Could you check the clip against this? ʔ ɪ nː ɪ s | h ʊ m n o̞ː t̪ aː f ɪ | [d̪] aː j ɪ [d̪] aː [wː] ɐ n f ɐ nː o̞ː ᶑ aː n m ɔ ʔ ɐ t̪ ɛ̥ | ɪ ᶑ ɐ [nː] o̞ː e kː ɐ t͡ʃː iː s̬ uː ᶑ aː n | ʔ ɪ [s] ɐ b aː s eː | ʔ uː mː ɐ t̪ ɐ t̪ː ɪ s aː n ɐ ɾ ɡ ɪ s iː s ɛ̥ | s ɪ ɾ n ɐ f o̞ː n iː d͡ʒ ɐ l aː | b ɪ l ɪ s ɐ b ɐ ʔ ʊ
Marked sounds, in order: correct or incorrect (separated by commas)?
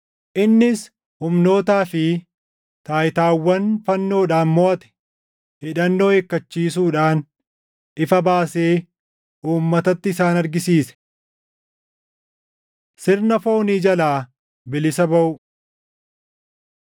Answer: incorrect, incorrect, correct, correct, incorrect